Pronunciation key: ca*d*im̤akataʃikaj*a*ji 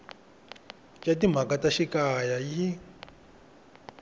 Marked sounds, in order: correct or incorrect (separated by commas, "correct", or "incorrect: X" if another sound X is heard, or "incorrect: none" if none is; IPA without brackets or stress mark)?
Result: incorrect: t, correct